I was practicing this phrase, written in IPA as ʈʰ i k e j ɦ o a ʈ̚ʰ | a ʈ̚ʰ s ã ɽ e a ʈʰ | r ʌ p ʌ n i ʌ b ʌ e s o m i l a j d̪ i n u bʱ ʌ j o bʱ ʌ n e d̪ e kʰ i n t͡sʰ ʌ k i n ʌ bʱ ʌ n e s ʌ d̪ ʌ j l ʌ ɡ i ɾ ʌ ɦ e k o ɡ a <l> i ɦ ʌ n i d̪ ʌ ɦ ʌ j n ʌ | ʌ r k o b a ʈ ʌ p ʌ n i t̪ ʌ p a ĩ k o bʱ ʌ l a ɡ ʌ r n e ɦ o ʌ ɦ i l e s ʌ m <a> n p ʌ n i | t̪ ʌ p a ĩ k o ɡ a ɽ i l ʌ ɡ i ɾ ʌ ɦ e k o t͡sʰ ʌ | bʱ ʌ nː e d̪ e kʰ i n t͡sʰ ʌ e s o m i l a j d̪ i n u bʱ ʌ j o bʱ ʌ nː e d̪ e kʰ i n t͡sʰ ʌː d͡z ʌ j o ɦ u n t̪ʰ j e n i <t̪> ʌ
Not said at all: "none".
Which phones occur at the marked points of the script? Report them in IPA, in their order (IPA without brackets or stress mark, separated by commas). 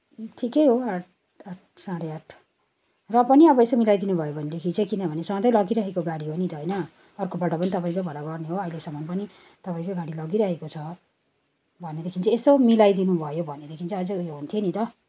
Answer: ɽ, ʌ, t̪